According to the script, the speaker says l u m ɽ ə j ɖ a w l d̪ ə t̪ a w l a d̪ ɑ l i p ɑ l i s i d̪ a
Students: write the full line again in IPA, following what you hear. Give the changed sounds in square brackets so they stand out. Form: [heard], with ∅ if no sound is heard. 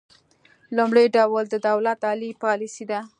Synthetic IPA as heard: l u m ɽ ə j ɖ a w l d̪ ə [d̪] a w l a [t̪] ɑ l i p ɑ l i s i d̪ a